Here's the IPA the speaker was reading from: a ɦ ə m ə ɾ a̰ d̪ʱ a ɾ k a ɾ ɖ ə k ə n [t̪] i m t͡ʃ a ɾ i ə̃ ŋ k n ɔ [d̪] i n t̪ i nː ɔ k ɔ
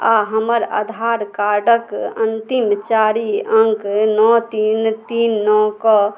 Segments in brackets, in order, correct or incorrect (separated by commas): correct, incorrect